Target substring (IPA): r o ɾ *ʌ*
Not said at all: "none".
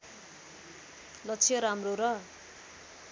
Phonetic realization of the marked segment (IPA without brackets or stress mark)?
ʌ